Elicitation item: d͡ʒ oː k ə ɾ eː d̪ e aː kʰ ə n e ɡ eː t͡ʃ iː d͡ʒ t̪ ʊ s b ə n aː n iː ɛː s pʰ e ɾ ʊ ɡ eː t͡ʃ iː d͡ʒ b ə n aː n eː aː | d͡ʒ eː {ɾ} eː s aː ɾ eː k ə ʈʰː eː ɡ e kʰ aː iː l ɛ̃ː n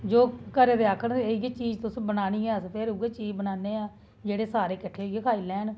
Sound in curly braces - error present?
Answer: yes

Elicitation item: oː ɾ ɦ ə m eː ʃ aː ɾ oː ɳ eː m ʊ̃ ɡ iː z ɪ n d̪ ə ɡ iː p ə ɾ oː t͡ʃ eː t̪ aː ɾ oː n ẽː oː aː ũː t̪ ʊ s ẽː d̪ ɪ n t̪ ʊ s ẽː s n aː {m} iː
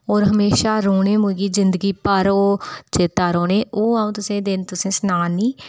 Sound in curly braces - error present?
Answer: yes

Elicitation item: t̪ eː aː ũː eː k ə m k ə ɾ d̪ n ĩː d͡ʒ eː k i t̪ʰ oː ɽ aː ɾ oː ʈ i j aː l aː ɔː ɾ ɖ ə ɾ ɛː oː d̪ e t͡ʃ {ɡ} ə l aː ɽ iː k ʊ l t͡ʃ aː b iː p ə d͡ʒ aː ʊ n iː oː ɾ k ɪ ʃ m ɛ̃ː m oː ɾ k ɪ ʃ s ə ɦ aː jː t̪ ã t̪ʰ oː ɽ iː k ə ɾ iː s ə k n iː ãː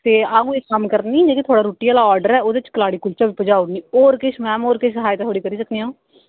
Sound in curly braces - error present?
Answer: yes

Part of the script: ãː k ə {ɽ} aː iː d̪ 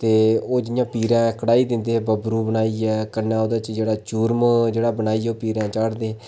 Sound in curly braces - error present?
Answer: no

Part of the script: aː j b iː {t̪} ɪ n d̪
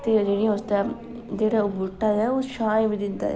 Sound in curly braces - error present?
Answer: yes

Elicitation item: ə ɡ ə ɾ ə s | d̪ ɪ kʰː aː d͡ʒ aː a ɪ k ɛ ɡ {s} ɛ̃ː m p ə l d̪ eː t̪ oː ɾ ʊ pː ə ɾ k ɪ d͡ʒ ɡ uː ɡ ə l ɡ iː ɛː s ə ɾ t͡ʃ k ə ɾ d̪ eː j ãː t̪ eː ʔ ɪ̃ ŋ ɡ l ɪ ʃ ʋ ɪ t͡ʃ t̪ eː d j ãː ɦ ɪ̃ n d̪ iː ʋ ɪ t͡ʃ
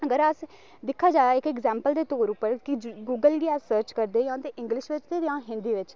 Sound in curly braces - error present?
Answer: yes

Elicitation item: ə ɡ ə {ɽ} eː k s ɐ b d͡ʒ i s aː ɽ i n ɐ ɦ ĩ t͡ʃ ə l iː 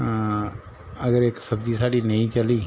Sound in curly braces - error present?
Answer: yes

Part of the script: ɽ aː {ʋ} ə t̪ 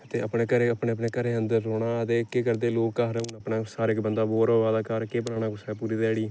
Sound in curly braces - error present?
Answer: yes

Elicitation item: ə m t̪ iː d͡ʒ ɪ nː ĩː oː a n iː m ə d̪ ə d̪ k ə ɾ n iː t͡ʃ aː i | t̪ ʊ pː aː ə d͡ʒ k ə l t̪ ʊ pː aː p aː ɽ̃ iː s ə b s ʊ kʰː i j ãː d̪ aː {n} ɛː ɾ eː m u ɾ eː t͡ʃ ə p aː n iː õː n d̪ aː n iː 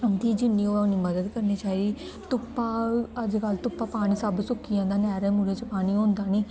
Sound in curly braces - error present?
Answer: no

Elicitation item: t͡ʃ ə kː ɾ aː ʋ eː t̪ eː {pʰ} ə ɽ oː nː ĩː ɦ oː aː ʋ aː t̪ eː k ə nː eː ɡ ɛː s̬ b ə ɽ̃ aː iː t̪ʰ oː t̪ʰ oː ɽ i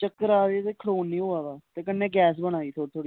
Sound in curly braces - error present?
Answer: yes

